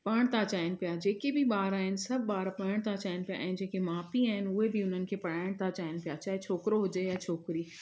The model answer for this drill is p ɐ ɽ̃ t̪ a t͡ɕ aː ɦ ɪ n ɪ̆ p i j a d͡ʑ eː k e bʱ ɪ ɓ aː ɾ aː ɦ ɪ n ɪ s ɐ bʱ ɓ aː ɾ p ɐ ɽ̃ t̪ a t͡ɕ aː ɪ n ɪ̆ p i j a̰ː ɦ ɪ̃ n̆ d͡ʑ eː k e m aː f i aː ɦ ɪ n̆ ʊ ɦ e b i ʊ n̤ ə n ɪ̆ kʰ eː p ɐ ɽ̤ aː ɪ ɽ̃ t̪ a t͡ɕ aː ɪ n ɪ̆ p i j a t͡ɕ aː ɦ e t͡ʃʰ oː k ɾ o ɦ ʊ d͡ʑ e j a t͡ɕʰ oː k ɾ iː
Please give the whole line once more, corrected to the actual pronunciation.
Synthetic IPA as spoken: p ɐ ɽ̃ t̪ a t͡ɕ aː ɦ ɪ n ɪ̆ p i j a d͡ʑ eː k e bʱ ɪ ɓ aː ɾ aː ɦ ɪ n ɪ s ɐ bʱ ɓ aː ɾ p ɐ ɽ̃ t̪ a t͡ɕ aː ɪ n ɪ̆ p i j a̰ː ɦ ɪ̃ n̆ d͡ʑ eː k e m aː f i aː ɦ ɪ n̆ ʊ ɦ e b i ʊ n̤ ə n ɪ̆ kʰ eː p ɐ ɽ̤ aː ɪ ɽ̃ t̪ a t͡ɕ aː ɪ n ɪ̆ p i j a t͡ɕ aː ɦ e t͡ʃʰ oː k ɾ o ɦ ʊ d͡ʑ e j a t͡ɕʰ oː k ɾ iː